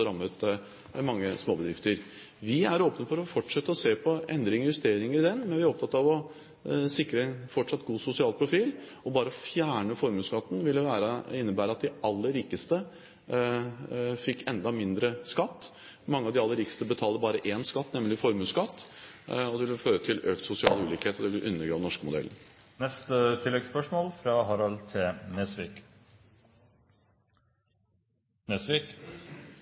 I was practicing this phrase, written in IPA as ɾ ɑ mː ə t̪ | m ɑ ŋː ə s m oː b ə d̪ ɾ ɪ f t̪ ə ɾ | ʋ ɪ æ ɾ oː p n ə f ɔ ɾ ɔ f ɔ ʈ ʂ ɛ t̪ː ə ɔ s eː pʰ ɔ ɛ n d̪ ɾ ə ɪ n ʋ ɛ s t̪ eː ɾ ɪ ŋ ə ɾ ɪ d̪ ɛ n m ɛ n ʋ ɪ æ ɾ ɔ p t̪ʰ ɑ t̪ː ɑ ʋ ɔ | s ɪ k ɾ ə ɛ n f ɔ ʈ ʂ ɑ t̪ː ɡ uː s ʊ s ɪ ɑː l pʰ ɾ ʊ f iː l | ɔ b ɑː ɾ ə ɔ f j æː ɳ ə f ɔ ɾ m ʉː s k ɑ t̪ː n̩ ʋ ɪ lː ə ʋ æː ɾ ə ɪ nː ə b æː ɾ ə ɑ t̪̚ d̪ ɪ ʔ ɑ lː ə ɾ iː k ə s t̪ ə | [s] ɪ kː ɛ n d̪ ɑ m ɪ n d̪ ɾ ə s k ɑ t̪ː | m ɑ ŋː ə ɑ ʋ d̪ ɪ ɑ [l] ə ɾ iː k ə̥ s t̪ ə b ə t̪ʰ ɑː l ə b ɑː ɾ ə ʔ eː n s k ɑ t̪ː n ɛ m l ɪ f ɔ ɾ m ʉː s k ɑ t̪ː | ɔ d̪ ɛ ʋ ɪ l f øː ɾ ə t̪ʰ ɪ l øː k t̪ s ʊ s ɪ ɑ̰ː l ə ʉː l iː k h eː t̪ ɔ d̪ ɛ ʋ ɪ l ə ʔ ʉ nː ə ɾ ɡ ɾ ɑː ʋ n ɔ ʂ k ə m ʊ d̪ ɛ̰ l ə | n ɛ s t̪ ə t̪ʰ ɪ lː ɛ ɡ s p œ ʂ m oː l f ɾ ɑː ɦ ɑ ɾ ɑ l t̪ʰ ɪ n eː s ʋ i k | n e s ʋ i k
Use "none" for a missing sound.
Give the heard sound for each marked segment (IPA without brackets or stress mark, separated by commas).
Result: f, lː